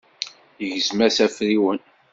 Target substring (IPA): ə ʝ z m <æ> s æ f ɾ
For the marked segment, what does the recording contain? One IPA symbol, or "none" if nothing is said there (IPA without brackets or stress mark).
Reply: æ